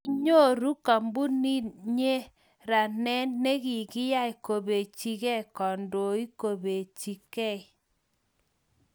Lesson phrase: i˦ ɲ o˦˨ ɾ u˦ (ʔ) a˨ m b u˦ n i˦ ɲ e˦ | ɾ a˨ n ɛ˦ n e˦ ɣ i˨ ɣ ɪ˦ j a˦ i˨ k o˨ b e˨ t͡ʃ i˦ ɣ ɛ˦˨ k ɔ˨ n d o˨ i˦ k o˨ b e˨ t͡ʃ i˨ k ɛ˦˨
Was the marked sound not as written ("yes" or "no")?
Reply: yes